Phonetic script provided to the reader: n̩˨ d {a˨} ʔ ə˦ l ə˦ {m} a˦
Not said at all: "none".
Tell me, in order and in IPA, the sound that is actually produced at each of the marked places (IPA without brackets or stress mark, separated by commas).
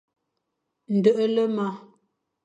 ə˨, m